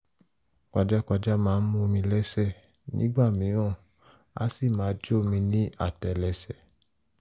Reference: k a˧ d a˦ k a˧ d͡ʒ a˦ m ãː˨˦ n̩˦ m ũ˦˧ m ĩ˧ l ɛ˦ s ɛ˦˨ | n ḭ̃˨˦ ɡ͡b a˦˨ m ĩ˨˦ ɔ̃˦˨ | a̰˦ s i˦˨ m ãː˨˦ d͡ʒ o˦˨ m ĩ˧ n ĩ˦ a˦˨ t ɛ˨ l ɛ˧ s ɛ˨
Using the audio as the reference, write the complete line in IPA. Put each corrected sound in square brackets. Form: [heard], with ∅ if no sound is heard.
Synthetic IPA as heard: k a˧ [d͡ʒ] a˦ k a˧ d͡ʒ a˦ m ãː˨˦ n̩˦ m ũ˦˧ m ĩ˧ l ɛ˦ s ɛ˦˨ | n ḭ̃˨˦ ɡ͡b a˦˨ m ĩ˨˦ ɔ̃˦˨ | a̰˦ s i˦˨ m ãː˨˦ d͡ʒ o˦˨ m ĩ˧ n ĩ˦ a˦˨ t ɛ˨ l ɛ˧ s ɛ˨